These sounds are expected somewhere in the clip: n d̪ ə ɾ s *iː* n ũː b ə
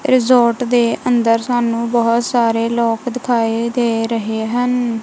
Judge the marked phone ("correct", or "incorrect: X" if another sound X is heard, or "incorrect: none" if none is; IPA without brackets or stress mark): incorrect: aː